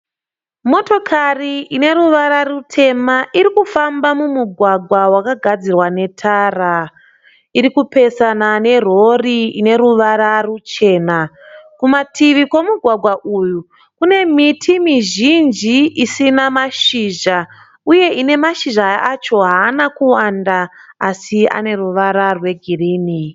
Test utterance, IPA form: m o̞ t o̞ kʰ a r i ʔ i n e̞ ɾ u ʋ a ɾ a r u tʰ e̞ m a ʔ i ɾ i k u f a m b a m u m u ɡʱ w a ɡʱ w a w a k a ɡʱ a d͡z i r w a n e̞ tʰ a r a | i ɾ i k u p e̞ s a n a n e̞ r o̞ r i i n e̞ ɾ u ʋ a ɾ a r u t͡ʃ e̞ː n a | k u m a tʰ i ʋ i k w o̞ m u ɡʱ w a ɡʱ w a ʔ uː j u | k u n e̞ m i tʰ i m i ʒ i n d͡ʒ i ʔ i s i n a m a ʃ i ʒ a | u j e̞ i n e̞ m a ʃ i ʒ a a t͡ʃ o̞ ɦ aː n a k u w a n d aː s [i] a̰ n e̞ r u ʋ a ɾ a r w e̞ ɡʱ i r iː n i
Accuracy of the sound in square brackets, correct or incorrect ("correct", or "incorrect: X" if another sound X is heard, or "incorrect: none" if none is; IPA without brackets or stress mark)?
correct